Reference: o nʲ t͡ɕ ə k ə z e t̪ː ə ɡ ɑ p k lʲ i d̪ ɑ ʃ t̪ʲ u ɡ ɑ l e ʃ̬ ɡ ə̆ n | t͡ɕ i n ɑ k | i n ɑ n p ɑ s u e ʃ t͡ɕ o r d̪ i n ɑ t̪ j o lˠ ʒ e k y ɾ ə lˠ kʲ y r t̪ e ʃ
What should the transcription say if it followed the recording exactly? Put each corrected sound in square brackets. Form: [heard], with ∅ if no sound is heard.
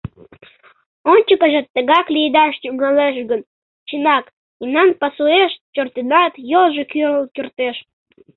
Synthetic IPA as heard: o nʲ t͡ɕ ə k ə [ʒ] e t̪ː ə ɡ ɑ [∅] k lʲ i d̪ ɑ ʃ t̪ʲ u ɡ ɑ l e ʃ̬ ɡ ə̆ n | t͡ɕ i n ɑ k | i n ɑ n p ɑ s u e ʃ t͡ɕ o r [t̪] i n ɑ t̪ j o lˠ ʒ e k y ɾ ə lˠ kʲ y r t̪ e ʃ

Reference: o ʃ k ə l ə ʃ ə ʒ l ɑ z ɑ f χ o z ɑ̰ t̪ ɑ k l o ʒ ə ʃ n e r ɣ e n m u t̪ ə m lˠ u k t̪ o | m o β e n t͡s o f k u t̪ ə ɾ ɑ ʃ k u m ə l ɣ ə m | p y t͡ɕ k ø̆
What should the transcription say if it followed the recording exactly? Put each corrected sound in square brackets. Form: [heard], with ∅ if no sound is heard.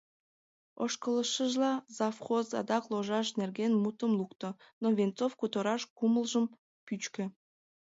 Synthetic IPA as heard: o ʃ k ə l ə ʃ ə ʒ l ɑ z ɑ f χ o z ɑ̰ [d̪] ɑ k l o ʒ [ɑ] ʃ n e r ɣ e n m u t̪ ə m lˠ u k t̪ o | [n] o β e n t͡s o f k u t̪ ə ɾ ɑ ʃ k u m ə l [ʒ] ə m | p y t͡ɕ k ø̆

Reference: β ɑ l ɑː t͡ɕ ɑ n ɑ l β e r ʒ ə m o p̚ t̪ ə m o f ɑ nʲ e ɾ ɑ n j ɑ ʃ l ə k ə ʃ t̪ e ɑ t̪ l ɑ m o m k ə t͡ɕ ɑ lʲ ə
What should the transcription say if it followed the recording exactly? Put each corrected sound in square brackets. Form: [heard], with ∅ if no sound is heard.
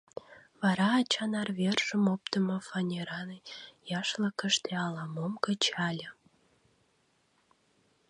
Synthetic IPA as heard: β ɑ [ɾ] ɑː t͡ɕ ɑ n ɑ [r] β e r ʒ ə m o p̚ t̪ ə m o f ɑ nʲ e ɾ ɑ n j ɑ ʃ l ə k ə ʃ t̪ e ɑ [∅] l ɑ m o m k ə t͡ɕ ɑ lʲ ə

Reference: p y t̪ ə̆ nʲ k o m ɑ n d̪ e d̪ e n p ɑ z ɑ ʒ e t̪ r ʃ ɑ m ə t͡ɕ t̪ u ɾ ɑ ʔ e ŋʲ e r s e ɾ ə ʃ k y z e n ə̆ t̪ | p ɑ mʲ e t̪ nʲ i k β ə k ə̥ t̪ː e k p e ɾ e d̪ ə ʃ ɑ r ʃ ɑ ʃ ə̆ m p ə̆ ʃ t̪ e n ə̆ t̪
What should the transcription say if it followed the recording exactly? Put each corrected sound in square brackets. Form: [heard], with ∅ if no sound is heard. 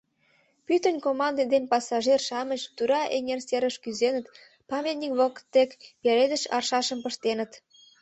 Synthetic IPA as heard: p y t̪ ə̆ nʲ k o m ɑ n d̪ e d̪ e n p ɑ [s] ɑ ʒ e [∅] r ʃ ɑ m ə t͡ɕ t̪ u ɾ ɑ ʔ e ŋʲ e r s e ɾ ə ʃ k y z e n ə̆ t̪ | p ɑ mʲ e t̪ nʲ i k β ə k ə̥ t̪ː e k p e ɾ e d̪ ə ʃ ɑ r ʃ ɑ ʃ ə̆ m p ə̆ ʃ t̪ e n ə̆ t̪

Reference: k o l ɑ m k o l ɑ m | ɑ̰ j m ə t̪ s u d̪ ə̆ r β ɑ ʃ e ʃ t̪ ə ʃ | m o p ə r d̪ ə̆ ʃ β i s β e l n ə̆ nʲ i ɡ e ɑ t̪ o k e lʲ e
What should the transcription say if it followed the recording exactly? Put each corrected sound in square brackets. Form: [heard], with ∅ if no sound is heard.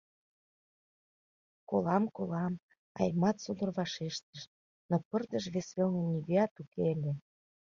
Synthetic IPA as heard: k o l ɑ m k o l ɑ m | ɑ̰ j m [ɑ] t̪ s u d̪ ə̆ r β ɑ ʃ e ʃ t̪ ə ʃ | [n] o p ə r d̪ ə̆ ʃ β [e] s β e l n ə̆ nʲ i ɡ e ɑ t̪ [u] k e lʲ e

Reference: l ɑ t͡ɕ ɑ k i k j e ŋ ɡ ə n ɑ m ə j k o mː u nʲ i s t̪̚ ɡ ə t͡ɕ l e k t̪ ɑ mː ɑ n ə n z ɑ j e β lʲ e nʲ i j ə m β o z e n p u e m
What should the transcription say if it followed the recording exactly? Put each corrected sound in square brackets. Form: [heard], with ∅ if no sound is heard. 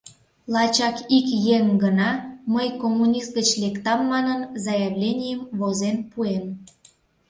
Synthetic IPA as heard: l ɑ t͡ɕ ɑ k i k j e ŋ ɡ ə n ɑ m ə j k o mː u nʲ i s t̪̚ ɡ ə t͡ɕ l e k t̪ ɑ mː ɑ n ə n z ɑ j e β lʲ e nʲ i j ə m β o z e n p u e m

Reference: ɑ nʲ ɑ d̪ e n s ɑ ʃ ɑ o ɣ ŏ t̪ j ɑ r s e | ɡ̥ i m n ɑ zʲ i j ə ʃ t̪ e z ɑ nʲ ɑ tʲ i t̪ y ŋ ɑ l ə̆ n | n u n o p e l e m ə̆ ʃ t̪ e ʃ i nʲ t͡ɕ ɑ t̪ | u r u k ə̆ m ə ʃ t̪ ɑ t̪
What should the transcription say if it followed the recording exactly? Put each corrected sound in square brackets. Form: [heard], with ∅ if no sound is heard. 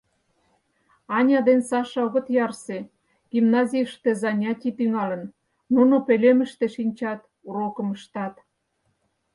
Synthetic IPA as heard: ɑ nʲ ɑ d̪ e n s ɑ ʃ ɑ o ɣ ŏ t̪ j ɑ r s e | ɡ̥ i m n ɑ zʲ i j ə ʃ t̪ e z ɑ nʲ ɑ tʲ i t̪ y ŋ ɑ l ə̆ n | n u n o p e l e m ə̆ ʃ t̪ e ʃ i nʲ t͡ɕ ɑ t̪ | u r [o] k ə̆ m ə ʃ t̪ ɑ t̪

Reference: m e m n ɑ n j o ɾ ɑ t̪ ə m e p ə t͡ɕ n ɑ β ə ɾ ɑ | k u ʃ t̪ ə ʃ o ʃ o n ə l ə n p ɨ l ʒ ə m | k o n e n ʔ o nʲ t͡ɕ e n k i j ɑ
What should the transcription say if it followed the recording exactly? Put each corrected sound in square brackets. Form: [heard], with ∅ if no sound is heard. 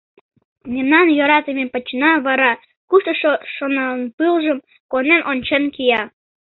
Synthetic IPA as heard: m e m n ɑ n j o ɾ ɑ t̪ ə m e p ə t͡ɕ n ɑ β [ɑ] ɾ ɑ | k u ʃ t̪ ə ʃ o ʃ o n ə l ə n p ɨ l ʒ ə m | k o n e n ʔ o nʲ t͡ɕ e n k i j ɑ

